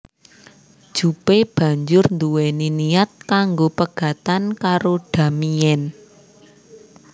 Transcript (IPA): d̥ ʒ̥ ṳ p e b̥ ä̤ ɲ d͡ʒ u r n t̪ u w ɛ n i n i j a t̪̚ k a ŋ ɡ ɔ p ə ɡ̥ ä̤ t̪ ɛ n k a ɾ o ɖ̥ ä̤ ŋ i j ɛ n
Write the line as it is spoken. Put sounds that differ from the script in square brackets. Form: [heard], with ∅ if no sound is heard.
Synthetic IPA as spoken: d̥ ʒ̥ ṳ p e b̥ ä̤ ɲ d͡ʒ [ʊ] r n [d̪] u w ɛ n i n i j a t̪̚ k a ŋ ɡ [o] p ə ɡ̥ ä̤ t̪ [a] n k a ɾ o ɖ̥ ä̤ [m] i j ɛ n